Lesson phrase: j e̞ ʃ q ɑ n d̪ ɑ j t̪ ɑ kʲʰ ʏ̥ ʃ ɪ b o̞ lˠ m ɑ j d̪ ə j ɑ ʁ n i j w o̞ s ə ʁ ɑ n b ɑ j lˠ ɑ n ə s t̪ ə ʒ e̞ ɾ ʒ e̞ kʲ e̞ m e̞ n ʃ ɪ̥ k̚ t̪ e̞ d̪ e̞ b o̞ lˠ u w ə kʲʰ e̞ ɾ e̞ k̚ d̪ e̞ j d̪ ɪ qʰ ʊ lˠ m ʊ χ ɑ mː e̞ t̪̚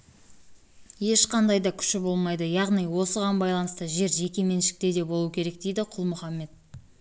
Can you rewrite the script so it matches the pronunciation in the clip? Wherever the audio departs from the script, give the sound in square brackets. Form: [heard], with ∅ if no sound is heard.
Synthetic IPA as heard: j e̞ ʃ q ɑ n d̪ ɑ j [d̪] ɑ kʲʰ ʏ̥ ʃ ɪ b o̞ lˠ m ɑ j d̪ ə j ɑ ʁ n i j w o̞ s ə ʁ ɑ n b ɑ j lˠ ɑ n ə s t̪ ə ʒ e̞ ɾ ʒ e̞ kʲ e̞ m e̞ n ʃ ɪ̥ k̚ t̪ e̞ d̪ e̞ b o̞ lˠ u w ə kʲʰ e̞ ɾ e̞ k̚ d̪ e̞ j d̪ ɪ qʰ ʊ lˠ m ʊ χ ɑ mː e̞ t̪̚

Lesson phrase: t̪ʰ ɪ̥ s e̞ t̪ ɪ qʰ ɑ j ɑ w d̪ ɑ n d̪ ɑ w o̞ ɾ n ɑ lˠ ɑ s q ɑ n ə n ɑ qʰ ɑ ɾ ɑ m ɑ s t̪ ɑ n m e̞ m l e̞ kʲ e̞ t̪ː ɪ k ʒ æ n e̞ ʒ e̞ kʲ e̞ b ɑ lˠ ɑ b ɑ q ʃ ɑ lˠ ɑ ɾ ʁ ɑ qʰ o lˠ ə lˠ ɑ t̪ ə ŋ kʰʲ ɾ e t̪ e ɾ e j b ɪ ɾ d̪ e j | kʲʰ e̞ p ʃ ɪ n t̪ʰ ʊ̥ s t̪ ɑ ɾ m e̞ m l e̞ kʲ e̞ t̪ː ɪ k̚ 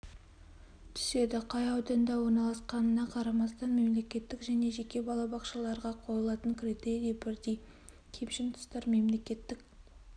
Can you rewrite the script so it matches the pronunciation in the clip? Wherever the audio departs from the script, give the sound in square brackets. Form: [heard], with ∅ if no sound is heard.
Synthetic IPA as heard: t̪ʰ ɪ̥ s e̞ [d̪] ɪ qʰ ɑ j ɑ w d̪ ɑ n d̪ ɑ w o̞ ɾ n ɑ lˠ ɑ s q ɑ n ə n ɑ qʰ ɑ ɾ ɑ m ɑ s t̪ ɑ n m e̞ m l e̞ kʲ e̞ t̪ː ɪ k ʒ æ n e̞ ʒ e̞ kʲ e̞ b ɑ lˠ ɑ b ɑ q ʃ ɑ lˠ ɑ ɾ ʁ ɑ qʰ o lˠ ə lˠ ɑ t̪ ə ŋ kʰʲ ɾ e t̪ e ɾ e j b ɪ ɾ d̪ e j | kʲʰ e̞ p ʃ ɪ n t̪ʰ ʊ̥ s t̪ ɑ ɾ m e̞ m l e̞ kʲ e̞ t̪ː ɪ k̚

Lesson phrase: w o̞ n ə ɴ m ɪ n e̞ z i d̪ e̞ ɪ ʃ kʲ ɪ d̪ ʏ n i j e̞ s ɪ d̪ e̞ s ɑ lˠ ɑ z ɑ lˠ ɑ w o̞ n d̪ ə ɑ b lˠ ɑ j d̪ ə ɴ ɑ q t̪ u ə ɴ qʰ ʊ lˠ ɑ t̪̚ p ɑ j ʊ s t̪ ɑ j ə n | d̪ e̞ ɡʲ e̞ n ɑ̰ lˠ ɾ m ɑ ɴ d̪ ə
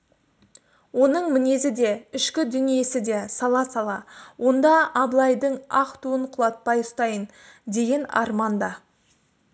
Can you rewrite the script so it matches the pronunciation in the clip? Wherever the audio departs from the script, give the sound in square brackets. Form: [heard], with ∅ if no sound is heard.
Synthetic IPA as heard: w o̞ n ə ɴ m ɪ n e̞ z [ɪ] d̪ e̞ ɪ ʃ kʲ ɪ d̪ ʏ n i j e̞ s ɪ d̪ e̞ s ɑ lˠ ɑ [s] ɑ lˠ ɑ w o̞ n d̪ [ɑ] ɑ b lˠ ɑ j d̪ ə ɴ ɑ q t̪ u ə ɴ qʰ ʊ lˠ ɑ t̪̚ p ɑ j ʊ s t̪ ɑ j ə n | d̪ e̞ ɡʲ e̞ n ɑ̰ [∅] ɾ m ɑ [n] d̪ [ɑ]

